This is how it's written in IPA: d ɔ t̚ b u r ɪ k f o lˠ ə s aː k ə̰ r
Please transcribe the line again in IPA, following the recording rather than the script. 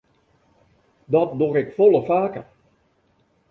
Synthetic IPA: d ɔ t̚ d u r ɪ k f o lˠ ə f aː k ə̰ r